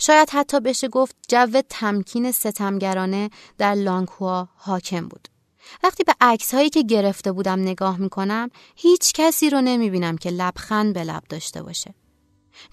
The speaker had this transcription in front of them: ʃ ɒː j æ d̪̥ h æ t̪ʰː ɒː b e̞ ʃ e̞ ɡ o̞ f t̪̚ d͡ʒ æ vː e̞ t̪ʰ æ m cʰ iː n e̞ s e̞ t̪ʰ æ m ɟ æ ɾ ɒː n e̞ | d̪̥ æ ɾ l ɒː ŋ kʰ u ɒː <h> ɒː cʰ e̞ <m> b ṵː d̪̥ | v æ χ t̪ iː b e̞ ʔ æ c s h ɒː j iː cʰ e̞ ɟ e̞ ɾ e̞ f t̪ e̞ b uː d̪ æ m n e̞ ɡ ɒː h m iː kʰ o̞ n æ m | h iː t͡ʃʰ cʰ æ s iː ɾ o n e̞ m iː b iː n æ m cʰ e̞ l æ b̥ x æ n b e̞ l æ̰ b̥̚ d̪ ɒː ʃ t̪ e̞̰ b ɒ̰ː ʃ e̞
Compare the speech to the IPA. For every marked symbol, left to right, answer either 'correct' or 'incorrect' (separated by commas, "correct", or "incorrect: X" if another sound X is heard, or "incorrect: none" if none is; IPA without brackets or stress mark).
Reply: correct, correct